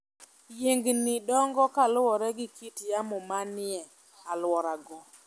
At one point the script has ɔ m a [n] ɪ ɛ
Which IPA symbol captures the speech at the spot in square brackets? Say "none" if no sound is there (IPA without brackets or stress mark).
n